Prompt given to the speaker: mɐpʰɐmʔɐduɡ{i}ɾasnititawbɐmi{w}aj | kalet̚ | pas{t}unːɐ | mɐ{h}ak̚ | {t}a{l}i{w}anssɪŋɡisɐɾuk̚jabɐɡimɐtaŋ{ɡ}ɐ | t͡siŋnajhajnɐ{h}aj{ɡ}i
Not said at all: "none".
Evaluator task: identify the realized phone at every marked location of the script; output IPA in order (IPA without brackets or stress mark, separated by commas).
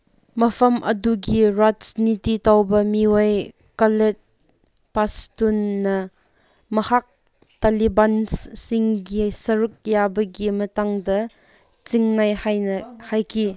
i, w, t, h, t, l, b, d, h, k